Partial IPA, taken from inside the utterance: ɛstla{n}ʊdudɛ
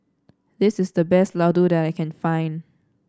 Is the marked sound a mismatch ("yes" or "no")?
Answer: yes